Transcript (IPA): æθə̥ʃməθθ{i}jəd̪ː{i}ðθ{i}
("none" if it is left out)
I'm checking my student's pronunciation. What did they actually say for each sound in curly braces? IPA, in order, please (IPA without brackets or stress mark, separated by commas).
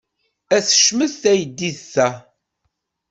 æ, i, æ